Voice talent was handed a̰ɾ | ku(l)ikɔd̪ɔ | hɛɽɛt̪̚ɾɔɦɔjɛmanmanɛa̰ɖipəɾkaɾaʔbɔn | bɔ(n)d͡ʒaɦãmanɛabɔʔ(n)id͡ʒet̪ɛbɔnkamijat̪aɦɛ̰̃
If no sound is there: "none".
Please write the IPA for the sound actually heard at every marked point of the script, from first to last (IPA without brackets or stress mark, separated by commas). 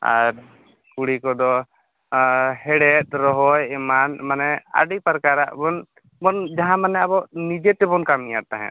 ɽ, n, n